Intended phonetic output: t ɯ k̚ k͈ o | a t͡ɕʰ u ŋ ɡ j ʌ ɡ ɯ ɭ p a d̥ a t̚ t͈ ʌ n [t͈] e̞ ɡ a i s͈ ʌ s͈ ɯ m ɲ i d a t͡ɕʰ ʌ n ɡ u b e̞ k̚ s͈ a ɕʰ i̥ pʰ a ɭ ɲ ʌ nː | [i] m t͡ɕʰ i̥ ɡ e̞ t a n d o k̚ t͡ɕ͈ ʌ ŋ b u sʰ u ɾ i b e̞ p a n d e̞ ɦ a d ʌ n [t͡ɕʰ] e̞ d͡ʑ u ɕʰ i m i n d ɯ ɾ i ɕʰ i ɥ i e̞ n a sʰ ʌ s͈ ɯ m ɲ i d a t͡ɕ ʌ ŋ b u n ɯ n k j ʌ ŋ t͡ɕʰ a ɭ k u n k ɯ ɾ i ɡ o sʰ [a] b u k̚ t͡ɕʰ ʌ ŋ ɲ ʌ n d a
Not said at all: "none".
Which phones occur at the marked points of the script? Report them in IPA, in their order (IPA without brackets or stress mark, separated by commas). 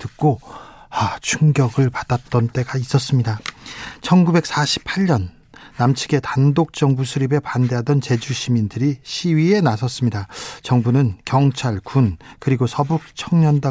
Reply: t͈, a, t͡ɕ, ʌ